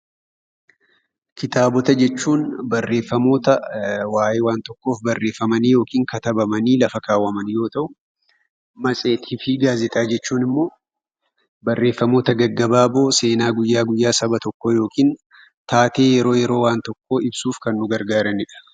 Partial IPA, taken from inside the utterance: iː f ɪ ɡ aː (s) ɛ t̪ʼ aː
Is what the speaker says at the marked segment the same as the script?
no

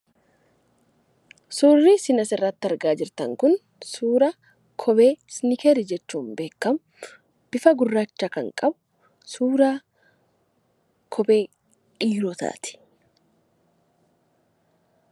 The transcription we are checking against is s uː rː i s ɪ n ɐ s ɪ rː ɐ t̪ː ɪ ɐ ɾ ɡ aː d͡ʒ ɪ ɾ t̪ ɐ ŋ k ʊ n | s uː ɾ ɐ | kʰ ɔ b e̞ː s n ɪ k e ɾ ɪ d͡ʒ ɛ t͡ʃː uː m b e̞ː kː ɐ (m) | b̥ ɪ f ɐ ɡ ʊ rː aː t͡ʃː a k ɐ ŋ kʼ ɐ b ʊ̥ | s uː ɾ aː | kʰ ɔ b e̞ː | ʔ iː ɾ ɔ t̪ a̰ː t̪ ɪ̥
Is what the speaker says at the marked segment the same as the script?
yes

